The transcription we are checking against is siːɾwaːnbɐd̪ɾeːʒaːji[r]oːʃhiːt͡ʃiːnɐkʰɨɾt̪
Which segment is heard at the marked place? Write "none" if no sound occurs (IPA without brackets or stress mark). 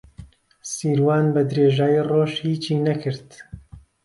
r